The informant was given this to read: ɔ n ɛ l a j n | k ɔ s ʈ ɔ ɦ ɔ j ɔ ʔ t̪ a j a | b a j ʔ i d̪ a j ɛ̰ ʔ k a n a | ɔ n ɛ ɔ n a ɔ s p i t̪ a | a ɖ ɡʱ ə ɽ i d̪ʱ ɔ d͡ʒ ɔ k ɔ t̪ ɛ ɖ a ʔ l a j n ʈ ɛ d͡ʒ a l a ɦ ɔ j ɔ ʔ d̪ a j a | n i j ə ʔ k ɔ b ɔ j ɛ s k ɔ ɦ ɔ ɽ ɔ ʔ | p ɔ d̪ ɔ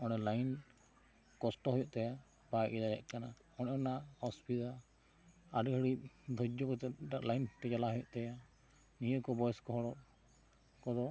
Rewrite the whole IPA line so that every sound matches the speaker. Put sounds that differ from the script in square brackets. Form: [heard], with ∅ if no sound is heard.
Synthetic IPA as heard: ɔ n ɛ l a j n | k ɔ s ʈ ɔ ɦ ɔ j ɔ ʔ t̪ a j a | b a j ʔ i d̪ a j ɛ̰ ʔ k a n a | ɔ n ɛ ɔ n a ɔ s p i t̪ a | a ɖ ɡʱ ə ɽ i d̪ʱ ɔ d͡ʒ ɔ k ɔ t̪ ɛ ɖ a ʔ l a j n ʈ ɛ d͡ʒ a l a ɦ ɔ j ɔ ʔ [t̪] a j a | n i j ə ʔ k ɔ b ɔ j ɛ s k ɔ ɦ ɔ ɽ ɔ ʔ | [k] ɔ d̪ ɔ